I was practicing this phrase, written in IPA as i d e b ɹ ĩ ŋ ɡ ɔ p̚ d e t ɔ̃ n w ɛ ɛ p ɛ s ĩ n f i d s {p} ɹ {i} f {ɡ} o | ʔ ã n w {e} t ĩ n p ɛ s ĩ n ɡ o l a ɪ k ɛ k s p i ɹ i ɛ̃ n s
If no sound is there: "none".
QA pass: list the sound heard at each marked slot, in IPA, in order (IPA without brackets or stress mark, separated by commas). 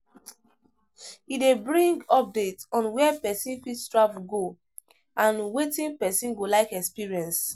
t, a, ɡ, e